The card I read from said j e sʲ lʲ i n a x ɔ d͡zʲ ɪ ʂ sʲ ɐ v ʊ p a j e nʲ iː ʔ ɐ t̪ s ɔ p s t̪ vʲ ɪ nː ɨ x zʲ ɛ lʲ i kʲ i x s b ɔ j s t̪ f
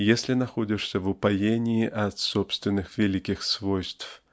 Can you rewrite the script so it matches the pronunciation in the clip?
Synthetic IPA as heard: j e sʲ lʲ i n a x ɔ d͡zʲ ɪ ʂ sʲ ɐ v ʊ p a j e nʲ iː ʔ ɐ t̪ s ɔ p s t̪ vʲ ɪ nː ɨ x vʲ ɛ lʲ i kʲ i x s v ɔ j s t̪ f